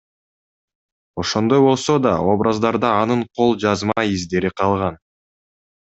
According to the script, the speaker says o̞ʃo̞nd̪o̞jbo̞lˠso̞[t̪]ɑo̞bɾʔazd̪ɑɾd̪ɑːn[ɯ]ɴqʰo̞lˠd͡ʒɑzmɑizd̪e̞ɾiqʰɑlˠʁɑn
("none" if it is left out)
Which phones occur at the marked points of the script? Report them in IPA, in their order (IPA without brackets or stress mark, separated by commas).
d̪, ɯ